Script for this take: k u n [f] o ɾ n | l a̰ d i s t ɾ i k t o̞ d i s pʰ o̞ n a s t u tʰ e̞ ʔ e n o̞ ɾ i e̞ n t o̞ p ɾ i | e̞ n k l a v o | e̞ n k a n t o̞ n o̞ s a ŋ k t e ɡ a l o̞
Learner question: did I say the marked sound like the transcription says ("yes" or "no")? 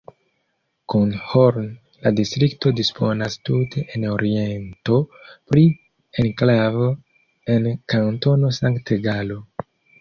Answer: no